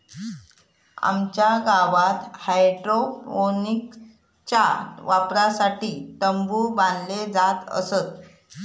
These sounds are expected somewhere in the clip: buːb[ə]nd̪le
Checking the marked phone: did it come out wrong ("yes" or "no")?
yes